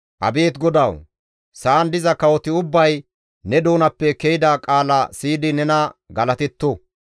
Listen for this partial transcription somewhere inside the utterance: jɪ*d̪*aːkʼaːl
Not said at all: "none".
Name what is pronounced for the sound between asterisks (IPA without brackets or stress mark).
d̪